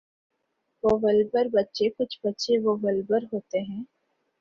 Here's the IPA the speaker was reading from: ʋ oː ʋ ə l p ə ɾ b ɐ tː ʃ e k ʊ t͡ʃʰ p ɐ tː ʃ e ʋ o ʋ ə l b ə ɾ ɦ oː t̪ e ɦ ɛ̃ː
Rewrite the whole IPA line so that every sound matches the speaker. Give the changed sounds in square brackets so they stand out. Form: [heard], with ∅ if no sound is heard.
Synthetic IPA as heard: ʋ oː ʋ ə l [b] ə ɾ b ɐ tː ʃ e k ʊ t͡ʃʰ [b] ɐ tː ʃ e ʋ o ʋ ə l b ə ɾ ɦ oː t̪ e ɦ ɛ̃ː

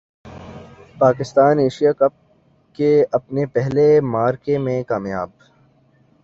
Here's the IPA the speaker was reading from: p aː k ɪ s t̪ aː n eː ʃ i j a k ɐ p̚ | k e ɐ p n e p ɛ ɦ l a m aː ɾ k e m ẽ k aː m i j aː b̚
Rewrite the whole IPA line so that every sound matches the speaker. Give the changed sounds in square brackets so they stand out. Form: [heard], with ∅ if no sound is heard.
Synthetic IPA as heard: p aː k ɪ s t̪ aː n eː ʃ i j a k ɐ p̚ | k e ɐ p n e p ɛ ɦ l [e] m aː ɾ k e m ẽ k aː m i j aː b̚

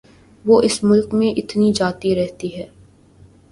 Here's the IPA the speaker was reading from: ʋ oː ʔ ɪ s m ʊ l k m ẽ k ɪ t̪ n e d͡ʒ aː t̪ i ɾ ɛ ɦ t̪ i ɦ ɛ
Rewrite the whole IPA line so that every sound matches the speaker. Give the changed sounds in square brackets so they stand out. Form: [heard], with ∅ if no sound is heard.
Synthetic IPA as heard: ʋ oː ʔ ɪ s m ʊ l k m ẽ [ʔ] ɪ t̪ n [i] d͡ʒ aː t̪ i ɾ ɛ ɦ t̪ i ɦ [ɛː]

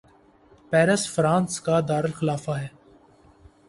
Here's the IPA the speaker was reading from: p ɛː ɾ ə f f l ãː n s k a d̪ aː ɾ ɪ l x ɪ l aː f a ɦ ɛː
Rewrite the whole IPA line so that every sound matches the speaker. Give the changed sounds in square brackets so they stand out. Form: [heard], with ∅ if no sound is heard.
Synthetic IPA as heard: p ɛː ɾ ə [s] f [ɾ] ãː n s k a d̪ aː ɾ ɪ l x ɪ l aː f a ɦ ɛː

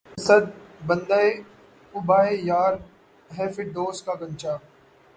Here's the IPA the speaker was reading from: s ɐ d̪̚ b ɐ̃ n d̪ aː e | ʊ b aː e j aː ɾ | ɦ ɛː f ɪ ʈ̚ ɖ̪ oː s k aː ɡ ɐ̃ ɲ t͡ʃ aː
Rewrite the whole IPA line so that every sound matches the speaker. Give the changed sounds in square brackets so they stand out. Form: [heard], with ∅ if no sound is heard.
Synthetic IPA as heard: s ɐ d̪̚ b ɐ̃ n d̪ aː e | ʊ b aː e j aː ɾ | ɦ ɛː f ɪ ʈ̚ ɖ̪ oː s k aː ɡ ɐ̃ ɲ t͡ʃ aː

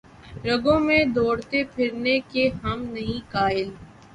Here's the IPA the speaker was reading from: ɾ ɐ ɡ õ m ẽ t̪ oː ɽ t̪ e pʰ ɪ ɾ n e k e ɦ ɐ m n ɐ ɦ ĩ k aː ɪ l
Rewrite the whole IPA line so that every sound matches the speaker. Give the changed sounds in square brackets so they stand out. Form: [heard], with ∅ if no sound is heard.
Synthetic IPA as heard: ɾ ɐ ɡ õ m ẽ [d̪] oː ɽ t̪ e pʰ ɪ ɾ n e k e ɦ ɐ m n ɐ ɦ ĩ k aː ɪ l

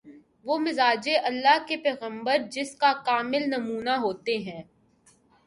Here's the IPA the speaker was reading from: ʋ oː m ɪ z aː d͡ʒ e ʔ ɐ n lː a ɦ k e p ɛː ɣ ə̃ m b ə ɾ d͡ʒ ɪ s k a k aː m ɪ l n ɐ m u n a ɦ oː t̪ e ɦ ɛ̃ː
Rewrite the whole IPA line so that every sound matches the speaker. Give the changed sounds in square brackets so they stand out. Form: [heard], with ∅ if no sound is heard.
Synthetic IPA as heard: ʋ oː m ɪ z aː d͡ʒ e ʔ ɐ [∅] lː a ɦ k e p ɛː ɣ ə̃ m b ə ɾ d͡ʒ ɪ s k a k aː m ɪ l n ɐ m [uː] n a ɦ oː t̪ e ɦ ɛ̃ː

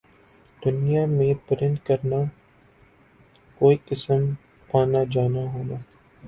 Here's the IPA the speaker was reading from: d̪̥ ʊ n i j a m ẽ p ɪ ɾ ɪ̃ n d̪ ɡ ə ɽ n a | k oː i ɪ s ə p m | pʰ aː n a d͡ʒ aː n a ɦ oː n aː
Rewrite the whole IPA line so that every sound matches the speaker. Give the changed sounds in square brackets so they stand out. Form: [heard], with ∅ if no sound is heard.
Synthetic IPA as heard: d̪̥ ʊ n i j a m ẽ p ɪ ɾ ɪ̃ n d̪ [k] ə [ɾ] n a | k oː i ɪ s ə [∅] m | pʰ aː n a d͡ʒ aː n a ɦ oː n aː

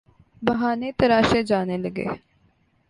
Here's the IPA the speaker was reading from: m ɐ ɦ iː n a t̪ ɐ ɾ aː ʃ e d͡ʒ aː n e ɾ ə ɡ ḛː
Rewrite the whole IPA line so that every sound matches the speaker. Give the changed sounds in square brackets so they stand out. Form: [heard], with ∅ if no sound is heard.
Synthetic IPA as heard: [b] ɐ ɦ [aː] n [e] t̪ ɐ ɾ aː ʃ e d͡ʒ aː n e [l] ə ɡ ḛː

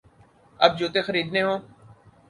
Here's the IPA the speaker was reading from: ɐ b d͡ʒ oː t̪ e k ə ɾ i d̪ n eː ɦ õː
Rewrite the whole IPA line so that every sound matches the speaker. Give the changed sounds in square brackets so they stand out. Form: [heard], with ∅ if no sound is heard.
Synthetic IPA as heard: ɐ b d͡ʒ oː t̪ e [x] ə ɾ [iː] d̪ n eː ɦ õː

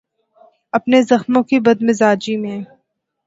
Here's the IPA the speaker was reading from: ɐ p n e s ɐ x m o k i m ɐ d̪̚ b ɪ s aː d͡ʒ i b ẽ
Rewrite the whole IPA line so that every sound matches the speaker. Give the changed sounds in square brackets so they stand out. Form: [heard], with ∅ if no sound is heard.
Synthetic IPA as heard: ɐ p n e [z] ɐ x m [õ] k i [b] ɐ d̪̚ [m] ɪ [z] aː d͡ʒ i [m] ẽ

